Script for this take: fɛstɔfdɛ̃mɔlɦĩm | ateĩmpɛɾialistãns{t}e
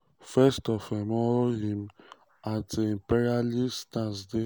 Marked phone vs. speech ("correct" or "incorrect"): incorrect